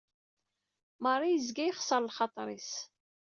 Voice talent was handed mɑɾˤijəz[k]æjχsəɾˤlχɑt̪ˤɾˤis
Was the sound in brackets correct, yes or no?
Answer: no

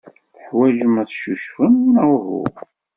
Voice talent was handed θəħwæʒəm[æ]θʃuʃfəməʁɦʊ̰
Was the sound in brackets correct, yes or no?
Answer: yes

